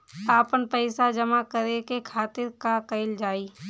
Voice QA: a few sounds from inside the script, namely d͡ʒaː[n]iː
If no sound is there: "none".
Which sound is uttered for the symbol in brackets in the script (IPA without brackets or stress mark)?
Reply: none